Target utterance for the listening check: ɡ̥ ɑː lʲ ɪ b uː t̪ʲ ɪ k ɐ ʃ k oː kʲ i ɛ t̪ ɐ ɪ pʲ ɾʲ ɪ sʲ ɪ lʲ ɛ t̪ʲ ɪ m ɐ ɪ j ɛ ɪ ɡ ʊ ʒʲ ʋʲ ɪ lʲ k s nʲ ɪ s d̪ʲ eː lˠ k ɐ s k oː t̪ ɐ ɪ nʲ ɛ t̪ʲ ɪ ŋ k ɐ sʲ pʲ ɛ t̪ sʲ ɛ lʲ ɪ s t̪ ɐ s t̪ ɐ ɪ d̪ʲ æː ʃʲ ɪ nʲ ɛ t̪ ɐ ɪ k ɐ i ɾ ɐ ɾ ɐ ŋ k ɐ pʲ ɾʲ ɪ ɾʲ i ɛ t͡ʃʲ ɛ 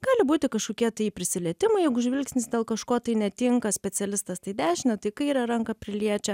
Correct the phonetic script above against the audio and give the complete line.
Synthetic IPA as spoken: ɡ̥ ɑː lʲ ɪ b uː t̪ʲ ɪ k ɐ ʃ k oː kʲ i ɛ t̪ ɐ ɪ pʲ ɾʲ ɪ sʲ ɪ lʲ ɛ t̪ʲ ɪ m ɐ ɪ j ɛ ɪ ɡ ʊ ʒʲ ʋʲ ɪ lʲ k s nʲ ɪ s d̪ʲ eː lˠ k ɐ ʃ k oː t̪ ɐ ɪ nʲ ɛ t̪ʲ ɪ ŋ k ɐ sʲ pʲ ɛ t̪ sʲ ɛ lʲ ɪ s t̪ ɐ s t̪ ɐ ɪ d̪ʲ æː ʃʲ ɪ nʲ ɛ t̪ ɐ ɪ k ɐ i ɾ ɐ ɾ ɐ ŋ k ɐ pʲ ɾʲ ɪ lʲ i ɛ t͡ʃʲ ɛ